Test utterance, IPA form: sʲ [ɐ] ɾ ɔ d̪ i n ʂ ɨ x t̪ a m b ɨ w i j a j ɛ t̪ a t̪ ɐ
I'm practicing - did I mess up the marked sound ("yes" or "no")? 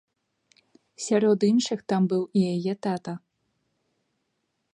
yes